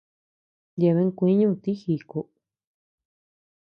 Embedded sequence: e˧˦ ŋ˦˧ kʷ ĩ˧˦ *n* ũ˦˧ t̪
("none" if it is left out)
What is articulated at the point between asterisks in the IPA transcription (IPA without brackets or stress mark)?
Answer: ɲ